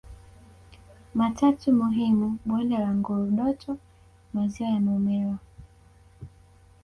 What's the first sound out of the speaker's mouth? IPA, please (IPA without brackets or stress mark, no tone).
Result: m